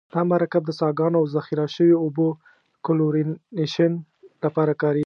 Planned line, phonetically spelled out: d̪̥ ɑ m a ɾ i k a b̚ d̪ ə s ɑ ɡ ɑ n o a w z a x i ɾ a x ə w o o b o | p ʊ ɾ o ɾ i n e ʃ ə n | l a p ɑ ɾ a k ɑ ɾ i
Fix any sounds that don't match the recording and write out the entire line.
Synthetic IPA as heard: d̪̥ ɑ m a ɾ a k a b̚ d̪ ə s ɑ ɡ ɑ n o a w z a x i ɾ a ʃ ə w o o b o | k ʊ l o ɾ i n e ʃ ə n | l a p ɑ ɾ a k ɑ ɾ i